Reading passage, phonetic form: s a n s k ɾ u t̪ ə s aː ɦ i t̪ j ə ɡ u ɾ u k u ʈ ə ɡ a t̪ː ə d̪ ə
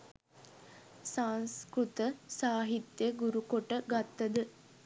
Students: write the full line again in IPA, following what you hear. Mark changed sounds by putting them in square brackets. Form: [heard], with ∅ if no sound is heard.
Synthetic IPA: s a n s k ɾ u t̪ ə s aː ɦ i t̪ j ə ɡ u ɾ u k [o] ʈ ə ɡ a t̪ː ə d̪ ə